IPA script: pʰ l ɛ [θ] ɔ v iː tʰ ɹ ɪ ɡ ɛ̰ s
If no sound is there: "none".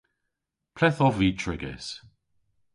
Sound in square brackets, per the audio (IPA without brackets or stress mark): θ